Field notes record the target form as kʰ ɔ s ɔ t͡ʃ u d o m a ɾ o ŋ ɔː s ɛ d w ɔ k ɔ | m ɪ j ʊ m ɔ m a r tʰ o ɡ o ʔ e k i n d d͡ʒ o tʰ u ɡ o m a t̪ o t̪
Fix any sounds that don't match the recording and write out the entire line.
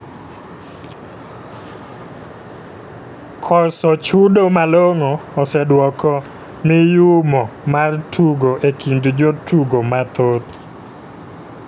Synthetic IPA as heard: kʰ ɔ s ɔ t͡ʃ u d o m a l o ŋ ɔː s ɛ d w ɔ k ɔ | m ɪ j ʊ m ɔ m a r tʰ u ɡ o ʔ e k i n d d͡ʒ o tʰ u ɡ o m a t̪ o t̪